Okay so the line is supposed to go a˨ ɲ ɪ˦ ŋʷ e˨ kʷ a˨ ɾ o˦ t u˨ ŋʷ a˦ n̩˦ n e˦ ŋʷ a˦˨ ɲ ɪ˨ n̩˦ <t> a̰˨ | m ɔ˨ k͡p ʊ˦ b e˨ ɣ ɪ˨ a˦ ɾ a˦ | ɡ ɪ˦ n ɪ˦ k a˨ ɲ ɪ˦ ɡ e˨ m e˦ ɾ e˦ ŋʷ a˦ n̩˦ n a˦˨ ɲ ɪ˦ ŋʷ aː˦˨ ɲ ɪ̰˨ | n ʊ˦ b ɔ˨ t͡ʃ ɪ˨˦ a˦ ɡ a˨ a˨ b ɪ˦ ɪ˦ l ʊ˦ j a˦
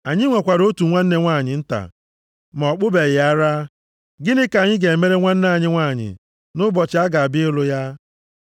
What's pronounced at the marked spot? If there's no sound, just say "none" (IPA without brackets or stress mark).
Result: t